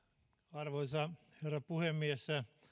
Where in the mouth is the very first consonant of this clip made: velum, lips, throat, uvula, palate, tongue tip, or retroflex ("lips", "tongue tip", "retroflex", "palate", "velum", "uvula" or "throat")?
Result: tongue tip